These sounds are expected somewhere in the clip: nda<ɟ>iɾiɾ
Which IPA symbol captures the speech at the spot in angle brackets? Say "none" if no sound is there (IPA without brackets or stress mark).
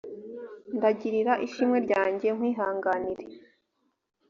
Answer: ɟ